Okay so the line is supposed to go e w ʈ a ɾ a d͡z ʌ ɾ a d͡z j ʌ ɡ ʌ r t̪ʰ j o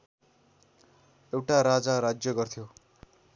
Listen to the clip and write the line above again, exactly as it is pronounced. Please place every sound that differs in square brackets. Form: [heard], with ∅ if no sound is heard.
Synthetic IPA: e w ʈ a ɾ a d͡z [a] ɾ a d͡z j ʌ ɡ ʌ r t̪ʰ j o

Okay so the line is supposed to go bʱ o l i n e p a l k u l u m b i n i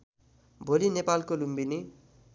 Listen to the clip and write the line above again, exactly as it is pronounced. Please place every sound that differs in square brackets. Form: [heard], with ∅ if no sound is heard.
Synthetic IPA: bʱ o l i n e p a l k [o] l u m b i n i

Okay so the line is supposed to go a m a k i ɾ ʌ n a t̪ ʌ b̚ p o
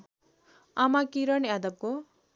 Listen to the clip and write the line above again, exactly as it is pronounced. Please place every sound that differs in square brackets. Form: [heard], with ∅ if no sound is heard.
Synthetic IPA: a m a k i ɾ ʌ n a [d̪] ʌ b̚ [k] o

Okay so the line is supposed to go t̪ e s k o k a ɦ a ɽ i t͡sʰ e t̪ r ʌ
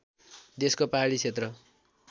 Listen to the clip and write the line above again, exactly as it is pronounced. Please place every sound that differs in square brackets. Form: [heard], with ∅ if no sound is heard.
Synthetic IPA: [d̪] e s k o [p] a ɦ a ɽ i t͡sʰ e t̪ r ʌ

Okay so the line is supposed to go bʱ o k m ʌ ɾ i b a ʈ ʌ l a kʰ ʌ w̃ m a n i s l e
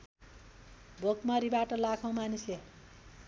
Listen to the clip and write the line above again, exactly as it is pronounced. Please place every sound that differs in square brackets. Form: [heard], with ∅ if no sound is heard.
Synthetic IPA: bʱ o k m ʌ ɾ i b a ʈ ʌ l a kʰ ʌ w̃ m a n i s l e

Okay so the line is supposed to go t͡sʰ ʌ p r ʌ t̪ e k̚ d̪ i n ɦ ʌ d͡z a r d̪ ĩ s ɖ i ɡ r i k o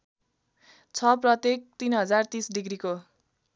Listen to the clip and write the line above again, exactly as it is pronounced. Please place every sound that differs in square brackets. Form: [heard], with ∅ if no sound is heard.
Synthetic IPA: t͡sʰ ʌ p r ʌ t̪ e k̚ [t̪] i n ɦ ʌ d͡z a r [t̪] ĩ s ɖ i ɡ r i k o

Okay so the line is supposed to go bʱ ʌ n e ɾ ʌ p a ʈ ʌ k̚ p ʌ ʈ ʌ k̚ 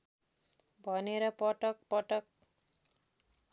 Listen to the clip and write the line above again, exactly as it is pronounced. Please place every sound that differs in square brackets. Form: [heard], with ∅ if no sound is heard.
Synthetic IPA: bʱ ʌ n e ɾ ʌ p [ʌ] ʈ ʌ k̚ p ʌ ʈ ʌ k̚

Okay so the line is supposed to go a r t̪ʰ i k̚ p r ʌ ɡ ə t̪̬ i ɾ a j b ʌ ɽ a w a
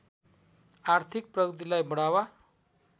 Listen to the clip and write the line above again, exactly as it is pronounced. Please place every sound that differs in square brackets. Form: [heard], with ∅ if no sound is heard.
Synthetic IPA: a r t̪ʰ i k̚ p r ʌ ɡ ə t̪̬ i [l] a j b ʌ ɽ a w a

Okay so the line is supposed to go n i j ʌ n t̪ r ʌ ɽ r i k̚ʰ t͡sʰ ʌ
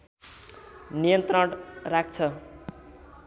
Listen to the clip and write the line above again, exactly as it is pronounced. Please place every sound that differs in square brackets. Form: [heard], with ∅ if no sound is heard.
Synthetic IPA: n i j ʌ n t̪ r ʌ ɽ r [a] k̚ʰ t͡sʰ ʌ

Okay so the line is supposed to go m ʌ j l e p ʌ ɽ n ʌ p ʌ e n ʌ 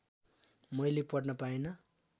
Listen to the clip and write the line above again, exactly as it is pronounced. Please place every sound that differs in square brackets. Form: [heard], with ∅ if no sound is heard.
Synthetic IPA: m ʌ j l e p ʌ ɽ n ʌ p [a] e n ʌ

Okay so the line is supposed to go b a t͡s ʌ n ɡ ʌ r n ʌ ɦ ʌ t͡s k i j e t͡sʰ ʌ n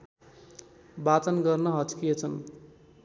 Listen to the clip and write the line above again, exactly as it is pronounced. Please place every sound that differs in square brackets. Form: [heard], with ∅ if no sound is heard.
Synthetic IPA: b a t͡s ʌ n ɡ ʌ r n ʌ ɦ ʌ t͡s k i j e t͡sʰ ʌ n

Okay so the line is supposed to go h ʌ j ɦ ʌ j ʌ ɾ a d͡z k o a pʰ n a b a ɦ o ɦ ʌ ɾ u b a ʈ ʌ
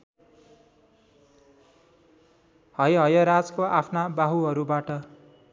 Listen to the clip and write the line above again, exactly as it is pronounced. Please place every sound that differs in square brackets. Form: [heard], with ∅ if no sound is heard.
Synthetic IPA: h ʌ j ɦ ʌ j ʌ ɾ a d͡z k o a pʰ n a b a ɦ [u] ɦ ʌ ɾ u b a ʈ ʌ

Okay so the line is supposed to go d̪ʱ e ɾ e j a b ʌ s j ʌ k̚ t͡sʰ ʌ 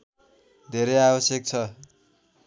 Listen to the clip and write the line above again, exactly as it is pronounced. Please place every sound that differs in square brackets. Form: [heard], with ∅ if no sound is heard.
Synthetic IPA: d̪ʱ e ɾ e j a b ʌ s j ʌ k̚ t͡sʰ ʌ

